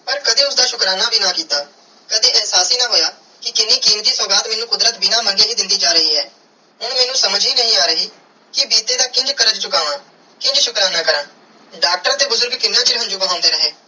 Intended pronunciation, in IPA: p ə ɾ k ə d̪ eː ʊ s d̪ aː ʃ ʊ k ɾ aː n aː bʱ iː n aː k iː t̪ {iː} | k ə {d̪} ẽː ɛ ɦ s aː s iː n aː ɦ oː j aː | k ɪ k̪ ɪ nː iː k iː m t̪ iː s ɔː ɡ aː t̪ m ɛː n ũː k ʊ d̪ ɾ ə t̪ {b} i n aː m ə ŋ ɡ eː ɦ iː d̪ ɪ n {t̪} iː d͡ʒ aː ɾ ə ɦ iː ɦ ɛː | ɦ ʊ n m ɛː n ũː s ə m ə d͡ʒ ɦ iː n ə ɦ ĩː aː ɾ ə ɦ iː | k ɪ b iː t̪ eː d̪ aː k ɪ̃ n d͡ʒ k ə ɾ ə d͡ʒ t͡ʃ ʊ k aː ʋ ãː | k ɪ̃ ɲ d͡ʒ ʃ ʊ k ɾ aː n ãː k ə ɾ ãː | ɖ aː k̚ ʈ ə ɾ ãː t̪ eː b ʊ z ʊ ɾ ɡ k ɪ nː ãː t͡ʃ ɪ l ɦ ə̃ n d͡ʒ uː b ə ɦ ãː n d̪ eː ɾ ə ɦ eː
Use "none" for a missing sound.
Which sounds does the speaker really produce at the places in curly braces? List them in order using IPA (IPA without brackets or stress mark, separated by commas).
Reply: aː, d̪, b, d̪